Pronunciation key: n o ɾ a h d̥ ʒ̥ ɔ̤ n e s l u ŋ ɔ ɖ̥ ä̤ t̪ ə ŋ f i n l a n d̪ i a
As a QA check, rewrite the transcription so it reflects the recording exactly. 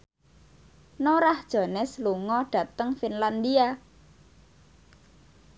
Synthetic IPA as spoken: n o ɾ a h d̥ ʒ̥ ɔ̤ n ɛ s l u ŋ ɔ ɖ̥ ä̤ t̪ ə ŋ f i n l a n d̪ i a